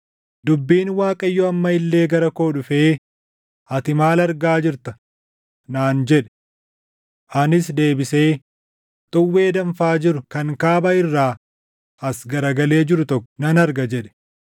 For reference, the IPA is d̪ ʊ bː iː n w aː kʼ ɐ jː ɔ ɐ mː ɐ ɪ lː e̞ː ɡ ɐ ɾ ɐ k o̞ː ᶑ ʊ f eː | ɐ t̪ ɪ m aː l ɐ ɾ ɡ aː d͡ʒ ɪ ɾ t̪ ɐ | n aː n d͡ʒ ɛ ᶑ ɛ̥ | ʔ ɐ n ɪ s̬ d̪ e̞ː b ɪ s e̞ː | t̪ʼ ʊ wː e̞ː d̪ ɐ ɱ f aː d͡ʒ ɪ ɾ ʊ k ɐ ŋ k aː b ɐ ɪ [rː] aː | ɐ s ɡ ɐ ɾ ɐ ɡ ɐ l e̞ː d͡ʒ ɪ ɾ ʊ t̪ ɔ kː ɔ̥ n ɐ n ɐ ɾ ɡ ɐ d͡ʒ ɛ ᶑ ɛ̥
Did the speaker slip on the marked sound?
no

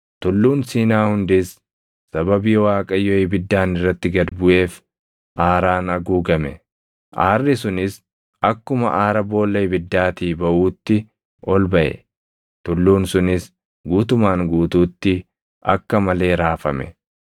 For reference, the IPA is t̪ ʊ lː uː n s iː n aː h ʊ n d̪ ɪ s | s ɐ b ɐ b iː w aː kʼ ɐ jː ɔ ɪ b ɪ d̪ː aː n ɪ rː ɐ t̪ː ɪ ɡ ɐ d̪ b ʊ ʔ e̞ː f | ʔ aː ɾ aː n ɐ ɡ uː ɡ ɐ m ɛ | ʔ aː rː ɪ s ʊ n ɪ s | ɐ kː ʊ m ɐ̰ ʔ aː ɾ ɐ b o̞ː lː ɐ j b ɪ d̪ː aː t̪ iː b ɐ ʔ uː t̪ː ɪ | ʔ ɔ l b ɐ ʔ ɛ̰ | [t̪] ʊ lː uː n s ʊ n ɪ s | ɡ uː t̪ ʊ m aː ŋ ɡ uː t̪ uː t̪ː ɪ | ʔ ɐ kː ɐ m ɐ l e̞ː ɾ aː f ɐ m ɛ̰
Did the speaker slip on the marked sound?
no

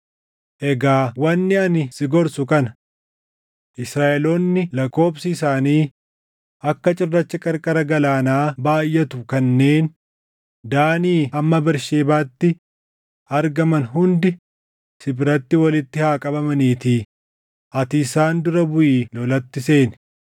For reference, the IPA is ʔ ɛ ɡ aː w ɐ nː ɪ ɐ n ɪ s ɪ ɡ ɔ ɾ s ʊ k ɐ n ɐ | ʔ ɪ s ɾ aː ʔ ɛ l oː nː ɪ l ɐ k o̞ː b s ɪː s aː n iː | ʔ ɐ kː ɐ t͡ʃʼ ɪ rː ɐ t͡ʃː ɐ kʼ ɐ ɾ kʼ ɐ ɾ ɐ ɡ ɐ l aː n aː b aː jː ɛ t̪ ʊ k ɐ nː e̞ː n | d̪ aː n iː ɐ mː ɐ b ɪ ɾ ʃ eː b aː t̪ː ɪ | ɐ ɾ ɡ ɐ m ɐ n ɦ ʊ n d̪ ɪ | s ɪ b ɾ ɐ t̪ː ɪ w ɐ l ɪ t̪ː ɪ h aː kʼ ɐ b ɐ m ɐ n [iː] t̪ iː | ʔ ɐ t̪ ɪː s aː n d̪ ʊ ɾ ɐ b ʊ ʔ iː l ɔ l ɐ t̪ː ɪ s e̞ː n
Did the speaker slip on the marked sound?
no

